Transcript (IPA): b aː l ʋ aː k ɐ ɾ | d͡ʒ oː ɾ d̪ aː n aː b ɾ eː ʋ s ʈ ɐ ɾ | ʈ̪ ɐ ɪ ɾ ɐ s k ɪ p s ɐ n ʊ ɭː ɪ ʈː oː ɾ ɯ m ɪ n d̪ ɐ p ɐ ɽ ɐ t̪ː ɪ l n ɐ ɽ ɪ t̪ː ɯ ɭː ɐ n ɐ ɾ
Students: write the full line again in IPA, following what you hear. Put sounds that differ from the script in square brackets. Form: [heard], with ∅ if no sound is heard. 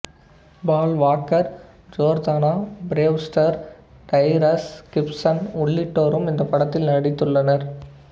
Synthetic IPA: b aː l ʋ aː k ɐ ɾ | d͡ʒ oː ɾ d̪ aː n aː b ɾ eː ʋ s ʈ ɐ ɾ | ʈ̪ ɐ ɪ ɾ ɐ s k ɪ p s ɐ n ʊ ɭː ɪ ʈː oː ɾ ɯ m ɪ n d̪ ɐ p ɐ ɽ ɐ t̪ː ɪ l n ɐ ɽ ɪ t̪ː ɯ ɭː ɐ n ɐ ɾ